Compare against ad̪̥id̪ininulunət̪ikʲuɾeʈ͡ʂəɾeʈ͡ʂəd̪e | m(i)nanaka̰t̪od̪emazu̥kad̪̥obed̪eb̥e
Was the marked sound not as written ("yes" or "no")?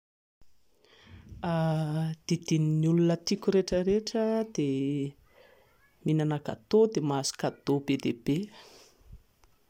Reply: no